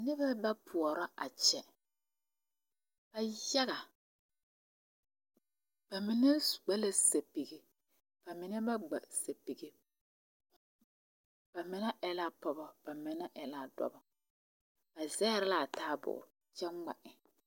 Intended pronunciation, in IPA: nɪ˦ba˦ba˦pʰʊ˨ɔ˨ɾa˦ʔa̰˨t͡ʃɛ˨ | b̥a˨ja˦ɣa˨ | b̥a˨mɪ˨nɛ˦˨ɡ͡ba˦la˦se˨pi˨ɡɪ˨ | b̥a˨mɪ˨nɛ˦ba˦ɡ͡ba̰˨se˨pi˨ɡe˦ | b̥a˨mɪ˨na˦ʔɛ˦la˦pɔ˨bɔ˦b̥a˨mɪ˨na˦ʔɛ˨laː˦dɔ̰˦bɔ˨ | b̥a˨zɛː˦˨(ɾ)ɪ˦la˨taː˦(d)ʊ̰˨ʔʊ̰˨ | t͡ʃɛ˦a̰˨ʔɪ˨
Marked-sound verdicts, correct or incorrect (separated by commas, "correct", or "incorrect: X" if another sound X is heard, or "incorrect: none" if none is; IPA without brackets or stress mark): correct, incorrect: b